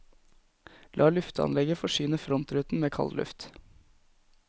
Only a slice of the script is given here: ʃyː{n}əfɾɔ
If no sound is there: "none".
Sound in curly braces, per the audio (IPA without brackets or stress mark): n